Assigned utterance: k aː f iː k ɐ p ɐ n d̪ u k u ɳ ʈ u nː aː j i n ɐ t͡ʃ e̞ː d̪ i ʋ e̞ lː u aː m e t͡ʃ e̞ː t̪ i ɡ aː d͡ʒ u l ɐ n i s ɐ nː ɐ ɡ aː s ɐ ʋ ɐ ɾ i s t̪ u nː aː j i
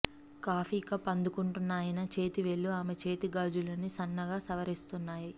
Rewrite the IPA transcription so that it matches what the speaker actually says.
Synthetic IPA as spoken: k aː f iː k ɐ p ɐ n d̪ u k u ɳ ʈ u nː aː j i n ɐ t͡ʃ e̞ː t̪ i ʋ e̞ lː u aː m e t͡ʃ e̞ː t̪ i ɡ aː d͡ʒ u l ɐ n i s ɐ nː ɐ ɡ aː s ɐ ʋ ɐ ɾ i s t̪ u nː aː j i